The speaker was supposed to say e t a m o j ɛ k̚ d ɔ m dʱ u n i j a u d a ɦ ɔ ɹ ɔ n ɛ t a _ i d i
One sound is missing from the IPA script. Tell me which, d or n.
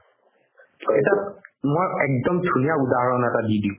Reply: d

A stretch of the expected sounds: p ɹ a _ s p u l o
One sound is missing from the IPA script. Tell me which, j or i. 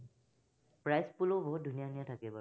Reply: j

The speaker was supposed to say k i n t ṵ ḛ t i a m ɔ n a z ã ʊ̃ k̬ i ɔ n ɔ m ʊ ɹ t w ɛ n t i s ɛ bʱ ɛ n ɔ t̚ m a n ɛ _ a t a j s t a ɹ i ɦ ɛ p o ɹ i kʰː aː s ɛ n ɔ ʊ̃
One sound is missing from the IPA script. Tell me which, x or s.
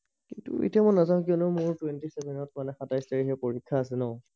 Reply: x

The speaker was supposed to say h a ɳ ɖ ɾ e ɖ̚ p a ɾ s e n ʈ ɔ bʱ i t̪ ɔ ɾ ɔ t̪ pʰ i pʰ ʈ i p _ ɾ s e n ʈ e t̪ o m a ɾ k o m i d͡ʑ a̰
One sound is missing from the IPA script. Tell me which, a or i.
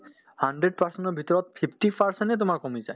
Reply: a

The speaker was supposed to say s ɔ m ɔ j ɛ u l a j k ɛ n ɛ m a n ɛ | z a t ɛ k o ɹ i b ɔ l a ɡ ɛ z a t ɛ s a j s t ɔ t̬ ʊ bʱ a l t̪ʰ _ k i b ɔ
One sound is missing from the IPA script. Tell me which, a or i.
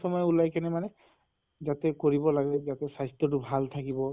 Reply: a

